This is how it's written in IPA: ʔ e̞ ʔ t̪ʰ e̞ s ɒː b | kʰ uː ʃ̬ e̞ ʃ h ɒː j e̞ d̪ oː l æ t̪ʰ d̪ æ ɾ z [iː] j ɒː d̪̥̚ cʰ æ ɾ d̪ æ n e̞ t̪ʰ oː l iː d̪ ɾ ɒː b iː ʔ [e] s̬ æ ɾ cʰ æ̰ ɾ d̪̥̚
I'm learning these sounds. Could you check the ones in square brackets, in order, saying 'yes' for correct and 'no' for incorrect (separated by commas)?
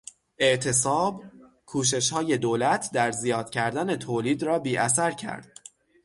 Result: no, no